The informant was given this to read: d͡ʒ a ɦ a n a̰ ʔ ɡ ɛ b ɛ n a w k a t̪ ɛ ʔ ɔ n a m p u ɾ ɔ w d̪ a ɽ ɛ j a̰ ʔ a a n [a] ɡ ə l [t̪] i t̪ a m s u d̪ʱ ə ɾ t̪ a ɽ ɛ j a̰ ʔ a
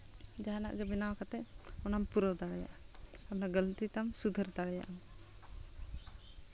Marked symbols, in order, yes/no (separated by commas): yes, yes